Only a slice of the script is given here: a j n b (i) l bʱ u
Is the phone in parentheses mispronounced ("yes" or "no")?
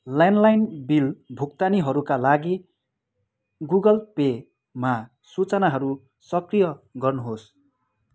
no